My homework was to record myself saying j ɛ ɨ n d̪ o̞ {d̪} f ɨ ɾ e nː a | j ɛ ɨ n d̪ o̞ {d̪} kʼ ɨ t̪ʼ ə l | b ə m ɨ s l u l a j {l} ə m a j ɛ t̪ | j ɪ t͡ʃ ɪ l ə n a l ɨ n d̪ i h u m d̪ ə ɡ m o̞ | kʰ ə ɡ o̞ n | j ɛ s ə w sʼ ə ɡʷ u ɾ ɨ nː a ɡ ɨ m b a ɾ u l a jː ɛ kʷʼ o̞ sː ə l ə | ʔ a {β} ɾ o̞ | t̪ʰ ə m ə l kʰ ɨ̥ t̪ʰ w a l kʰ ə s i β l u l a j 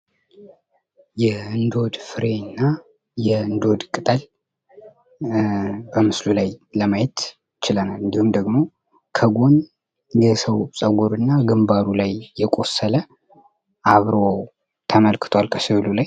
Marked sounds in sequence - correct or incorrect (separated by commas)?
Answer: correct, correct, correct, correct